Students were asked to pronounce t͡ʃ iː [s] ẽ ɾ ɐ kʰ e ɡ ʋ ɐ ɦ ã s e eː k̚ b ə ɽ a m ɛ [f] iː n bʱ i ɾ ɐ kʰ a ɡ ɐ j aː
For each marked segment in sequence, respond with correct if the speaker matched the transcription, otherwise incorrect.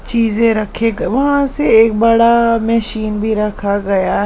incorrect: z, incorrect: ʃ

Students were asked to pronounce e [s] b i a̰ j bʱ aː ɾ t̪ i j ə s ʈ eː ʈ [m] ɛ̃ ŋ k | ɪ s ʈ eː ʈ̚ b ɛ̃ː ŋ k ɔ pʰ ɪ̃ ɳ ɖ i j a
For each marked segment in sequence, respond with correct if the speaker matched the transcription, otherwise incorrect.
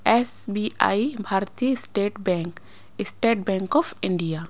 correct, incorrect: b

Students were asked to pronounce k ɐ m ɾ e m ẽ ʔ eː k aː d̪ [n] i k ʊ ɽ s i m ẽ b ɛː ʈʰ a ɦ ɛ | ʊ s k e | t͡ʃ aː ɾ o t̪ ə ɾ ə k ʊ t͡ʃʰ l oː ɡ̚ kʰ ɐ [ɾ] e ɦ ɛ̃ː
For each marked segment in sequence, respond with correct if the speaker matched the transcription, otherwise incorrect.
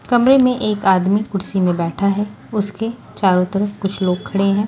incorrect: m, incorrect: ɽ

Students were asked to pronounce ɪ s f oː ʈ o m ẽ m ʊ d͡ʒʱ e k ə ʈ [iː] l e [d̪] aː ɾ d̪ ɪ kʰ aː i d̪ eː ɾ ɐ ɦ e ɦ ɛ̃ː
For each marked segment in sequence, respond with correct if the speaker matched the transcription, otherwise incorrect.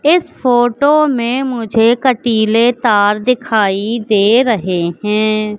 correct, incorrect: t̪

